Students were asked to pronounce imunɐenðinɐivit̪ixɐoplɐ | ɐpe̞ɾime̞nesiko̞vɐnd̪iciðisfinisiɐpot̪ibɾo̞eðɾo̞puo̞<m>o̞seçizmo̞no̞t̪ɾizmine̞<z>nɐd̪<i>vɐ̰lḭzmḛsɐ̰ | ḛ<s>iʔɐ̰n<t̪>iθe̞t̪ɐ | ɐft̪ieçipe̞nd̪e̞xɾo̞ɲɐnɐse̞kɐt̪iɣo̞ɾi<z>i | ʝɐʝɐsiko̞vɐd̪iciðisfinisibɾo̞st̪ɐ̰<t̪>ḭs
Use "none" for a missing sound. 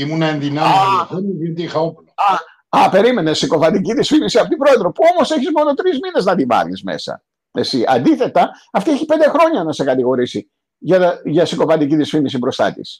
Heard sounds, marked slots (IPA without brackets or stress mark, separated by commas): m, z, i, s, d̪, s, t̪